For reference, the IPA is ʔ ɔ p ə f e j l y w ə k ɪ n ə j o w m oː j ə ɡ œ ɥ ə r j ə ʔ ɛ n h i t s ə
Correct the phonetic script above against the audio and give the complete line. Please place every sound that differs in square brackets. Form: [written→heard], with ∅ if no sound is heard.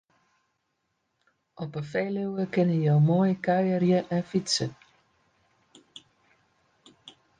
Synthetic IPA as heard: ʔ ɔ p ə f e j l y w ə k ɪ n ə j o w m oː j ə [ɡ→k] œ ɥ ə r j ə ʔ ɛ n [h→f] i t s ə